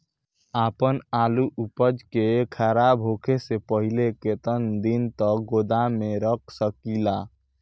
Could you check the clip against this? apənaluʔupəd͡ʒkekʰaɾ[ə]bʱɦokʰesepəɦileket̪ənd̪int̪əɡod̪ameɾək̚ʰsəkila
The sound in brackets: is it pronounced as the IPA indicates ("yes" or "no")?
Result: no